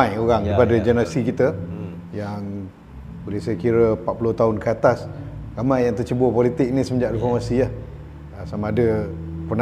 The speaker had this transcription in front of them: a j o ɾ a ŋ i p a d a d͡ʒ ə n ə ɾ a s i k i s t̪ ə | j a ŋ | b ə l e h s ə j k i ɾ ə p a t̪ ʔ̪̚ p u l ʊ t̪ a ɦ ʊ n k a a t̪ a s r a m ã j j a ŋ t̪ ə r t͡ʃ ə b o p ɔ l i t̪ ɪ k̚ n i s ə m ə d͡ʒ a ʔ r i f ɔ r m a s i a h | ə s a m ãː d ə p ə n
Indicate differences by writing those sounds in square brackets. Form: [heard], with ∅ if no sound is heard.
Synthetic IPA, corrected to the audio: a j o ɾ a ŋ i p a d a d͡ʒ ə n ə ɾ a s i k i [∅] t̪ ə | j a ŋ | b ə l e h s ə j k i ɾ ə p a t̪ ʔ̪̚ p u l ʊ t̪ a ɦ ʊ n k [ə] a t̪ a s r a m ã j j a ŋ t̪ ə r t͡ʃ ə b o p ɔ l i t̪ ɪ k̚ n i s ə m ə d͡ʒ a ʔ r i f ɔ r m a s i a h | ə s a m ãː d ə p ə n